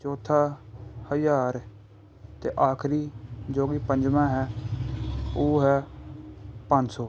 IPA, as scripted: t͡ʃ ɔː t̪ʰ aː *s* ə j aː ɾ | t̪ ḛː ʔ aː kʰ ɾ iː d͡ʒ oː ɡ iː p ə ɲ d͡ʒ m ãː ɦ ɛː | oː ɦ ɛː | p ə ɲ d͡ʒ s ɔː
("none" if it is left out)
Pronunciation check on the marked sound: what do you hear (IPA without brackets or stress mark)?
h